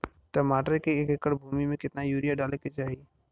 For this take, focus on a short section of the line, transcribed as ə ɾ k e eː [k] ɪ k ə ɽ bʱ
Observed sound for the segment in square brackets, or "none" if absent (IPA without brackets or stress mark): k